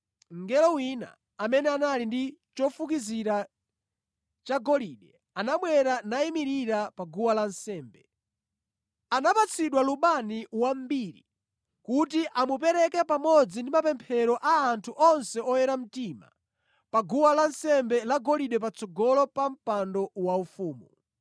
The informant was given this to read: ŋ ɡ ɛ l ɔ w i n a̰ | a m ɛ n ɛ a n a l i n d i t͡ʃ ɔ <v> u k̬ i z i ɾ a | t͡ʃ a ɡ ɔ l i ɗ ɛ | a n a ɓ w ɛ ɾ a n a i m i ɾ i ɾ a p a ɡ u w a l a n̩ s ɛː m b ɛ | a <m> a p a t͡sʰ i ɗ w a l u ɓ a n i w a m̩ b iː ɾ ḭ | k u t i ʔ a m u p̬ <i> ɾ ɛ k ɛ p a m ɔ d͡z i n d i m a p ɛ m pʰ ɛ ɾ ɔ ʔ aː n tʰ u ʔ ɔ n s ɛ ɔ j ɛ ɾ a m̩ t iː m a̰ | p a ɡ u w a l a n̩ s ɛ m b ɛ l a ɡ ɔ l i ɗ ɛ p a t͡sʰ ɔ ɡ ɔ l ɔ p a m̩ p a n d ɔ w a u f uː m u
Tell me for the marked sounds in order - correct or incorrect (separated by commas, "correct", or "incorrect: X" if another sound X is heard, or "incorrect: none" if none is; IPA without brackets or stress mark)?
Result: incorrect: f, incorrect: n, incorrect: ɛ